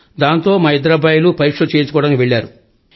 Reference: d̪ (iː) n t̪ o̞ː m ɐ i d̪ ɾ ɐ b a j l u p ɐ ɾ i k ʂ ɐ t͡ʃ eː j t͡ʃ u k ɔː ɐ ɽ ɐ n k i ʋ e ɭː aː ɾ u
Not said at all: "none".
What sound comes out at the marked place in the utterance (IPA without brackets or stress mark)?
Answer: aː